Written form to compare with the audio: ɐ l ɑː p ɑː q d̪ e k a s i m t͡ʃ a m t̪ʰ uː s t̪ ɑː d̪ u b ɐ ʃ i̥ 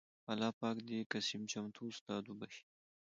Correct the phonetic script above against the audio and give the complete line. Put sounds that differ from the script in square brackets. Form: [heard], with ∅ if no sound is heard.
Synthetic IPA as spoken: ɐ l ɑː p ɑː [k] d̪ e k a s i m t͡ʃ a m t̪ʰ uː s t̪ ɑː d̪ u b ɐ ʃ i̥